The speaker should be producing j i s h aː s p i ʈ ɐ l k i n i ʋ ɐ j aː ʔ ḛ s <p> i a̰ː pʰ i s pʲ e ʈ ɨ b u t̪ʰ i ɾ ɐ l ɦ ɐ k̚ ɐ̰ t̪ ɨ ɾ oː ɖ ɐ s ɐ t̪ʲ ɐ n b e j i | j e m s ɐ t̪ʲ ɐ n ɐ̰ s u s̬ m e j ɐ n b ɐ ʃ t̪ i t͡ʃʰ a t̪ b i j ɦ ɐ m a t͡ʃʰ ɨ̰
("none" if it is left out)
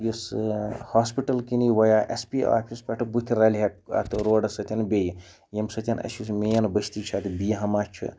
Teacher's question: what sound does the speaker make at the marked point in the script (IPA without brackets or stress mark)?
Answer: p